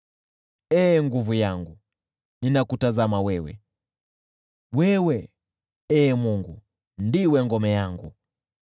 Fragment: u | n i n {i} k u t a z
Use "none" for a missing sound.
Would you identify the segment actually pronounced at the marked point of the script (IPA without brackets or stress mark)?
a